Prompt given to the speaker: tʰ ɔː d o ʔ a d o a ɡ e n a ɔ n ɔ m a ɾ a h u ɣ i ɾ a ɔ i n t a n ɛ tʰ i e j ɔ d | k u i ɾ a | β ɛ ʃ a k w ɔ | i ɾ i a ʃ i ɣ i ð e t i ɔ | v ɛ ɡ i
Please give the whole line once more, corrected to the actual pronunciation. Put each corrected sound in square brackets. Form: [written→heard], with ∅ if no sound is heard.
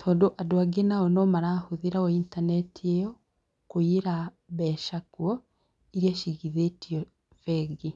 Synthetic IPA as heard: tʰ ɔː d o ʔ a d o a ɡ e n a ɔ n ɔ m a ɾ a h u [ɣ→ð] i ɾ a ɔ i n t a n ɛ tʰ i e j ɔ [d→∅] | k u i ɾ a | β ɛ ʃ a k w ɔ | i ɾ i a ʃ i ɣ i ð e t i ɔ | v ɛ ɡ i